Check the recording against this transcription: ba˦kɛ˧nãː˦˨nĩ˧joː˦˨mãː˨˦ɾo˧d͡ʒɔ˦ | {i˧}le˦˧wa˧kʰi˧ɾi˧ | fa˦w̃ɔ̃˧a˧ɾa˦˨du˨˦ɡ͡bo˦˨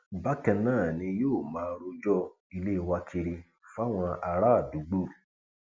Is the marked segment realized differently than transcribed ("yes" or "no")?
no